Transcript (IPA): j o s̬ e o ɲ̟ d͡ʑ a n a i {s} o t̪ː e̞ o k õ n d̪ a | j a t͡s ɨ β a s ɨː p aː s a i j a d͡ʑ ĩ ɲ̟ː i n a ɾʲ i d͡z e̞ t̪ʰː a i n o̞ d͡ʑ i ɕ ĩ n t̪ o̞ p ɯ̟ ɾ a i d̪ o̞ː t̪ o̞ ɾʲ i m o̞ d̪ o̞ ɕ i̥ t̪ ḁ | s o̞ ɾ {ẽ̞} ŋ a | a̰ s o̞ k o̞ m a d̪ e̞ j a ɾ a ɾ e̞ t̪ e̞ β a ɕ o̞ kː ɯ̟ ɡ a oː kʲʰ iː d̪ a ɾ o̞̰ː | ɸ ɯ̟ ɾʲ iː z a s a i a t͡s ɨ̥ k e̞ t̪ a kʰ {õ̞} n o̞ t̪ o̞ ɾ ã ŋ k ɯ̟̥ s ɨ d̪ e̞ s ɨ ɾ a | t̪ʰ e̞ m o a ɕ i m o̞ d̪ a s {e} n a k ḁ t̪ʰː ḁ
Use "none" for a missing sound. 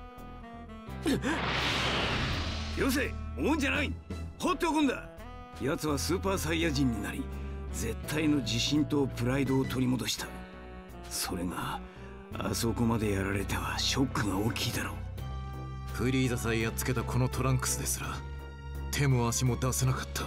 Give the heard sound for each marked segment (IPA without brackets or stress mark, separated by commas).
h, e̞, o̞, e